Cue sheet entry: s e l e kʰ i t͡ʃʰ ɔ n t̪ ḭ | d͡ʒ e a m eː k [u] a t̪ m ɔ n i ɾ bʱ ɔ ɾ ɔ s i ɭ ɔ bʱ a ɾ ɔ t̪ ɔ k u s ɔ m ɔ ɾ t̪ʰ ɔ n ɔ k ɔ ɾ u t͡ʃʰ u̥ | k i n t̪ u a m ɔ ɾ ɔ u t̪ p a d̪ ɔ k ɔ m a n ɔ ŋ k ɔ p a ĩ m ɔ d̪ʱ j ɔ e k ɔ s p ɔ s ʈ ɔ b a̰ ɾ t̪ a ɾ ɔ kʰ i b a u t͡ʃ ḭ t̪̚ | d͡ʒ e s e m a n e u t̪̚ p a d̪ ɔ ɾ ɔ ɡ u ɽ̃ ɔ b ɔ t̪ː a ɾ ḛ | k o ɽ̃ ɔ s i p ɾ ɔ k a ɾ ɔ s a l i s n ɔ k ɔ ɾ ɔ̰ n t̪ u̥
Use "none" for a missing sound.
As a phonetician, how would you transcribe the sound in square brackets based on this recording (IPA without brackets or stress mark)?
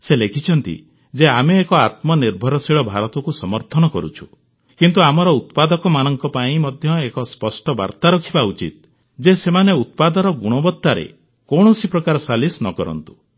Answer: ɔ